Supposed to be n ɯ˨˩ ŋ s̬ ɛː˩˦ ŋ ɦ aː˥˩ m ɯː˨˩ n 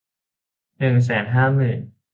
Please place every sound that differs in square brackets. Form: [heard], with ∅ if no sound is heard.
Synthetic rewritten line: n ɯ˨˩ ŋ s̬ ɛː˩˦ [n] ɦ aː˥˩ m ɯː˨˩ n